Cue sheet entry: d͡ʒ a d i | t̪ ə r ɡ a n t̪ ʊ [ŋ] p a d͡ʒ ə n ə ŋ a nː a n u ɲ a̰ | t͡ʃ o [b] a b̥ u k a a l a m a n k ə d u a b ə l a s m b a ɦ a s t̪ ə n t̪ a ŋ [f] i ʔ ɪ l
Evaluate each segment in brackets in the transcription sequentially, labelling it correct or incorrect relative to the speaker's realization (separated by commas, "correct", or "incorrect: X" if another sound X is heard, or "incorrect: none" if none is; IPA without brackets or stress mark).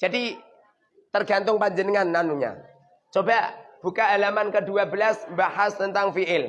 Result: correct, correct, correct